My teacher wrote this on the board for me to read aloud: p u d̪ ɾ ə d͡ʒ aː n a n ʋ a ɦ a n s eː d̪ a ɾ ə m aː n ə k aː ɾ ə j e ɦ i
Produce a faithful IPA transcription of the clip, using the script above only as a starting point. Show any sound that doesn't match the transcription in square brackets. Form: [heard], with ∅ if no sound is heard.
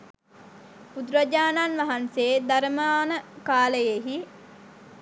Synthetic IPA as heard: p u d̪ ɾ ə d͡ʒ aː n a n ʋ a ɦ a n s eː d̪ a ɾ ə m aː n ə k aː [l] ə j e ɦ i

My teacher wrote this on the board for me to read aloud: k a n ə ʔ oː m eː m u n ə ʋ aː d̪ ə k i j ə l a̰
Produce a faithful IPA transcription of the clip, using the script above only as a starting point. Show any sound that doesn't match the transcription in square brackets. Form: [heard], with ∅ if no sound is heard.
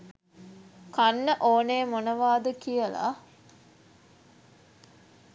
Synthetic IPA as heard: k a [nː] ə ʔ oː [n] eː m [o] n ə ʋ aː d̪ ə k i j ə l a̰

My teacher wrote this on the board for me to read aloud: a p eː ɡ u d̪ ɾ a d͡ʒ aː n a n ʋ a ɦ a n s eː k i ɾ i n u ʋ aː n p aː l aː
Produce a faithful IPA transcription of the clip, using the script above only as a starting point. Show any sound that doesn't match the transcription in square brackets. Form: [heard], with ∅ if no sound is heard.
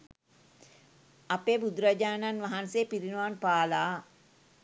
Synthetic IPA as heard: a p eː [b] u d̪ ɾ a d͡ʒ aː n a n ʋ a ɦ a n s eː [p] i ɾ i n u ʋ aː n p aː l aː

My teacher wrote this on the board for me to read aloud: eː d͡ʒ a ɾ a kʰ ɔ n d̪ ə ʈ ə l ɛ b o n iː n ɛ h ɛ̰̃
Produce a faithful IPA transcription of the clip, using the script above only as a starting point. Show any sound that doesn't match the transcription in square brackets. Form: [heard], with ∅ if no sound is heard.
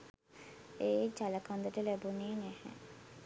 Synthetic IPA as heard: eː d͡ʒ a [l] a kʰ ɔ n d̪ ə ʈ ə l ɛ b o n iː n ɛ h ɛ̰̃

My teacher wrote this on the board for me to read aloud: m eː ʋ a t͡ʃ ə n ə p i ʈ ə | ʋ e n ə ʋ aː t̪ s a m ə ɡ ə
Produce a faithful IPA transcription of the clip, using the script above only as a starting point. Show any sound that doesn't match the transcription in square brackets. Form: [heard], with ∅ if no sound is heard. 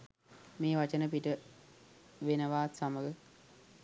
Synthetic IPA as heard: m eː ʋ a t͡ʃ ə n ə p i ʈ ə | ʋ e n ə ʋ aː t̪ s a m ə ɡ ə

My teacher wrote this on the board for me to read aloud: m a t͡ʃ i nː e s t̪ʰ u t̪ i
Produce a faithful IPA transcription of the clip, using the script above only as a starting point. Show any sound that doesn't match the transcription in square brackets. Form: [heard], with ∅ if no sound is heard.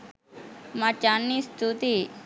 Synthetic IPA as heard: m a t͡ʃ [a] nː [i] s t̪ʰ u t̪ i

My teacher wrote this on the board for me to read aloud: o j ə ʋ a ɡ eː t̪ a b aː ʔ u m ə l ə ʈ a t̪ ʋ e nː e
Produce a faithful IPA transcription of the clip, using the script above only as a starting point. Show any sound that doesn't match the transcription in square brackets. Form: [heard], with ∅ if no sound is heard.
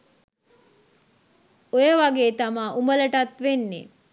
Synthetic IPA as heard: o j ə ʋ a ɡ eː t̪ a [m] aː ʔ u m ə l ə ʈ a t̪ ʋ e nː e

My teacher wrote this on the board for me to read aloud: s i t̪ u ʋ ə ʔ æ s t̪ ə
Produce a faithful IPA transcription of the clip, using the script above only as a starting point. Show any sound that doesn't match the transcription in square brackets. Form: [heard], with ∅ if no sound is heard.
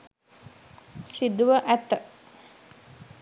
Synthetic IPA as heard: s i [d̪] u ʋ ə ʔ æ [∅] t̪ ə

